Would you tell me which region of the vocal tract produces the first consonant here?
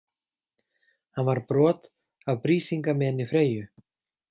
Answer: throat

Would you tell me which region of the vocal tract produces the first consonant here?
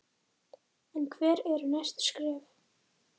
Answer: tongue tip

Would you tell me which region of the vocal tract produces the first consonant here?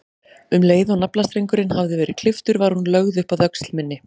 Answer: lips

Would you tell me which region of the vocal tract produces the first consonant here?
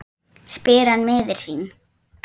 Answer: tongue tip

